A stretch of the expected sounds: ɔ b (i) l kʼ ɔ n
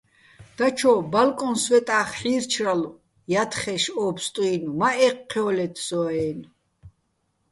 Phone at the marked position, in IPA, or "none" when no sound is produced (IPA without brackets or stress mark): a